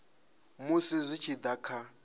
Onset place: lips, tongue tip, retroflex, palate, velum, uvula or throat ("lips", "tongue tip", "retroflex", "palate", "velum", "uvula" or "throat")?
lips